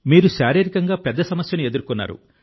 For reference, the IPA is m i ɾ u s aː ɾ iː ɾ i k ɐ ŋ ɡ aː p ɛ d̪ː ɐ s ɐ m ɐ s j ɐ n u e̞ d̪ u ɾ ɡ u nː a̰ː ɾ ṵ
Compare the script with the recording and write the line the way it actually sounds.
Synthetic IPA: m iː ɾ u ʃ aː ɾ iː ɾ i k ɐ ŋ ɡ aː p ɛ d̪ː ɐ s ɐ m ɐ s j ɐ n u e̞ d̪ u ɾ k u nː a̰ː ɾ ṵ